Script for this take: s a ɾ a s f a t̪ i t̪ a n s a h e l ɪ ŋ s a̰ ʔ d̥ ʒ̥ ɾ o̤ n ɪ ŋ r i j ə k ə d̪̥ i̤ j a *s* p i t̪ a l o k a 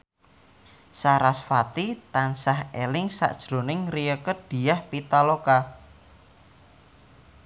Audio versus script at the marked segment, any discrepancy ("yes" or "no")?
yes